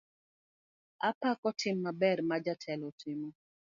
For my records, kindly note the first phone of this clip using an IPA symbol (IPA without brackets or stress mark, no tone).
a